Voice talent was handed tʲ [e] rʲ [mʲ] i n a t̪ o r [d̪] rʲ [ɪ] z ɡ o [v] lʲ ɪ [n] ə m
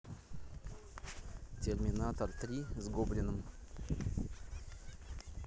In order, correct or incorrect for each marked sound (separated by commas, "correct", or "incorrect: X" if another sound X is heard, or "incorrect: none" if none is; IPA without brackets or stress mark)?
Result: correct, correct, incorrect: t̪, incorrect: i, incorrect: b, correct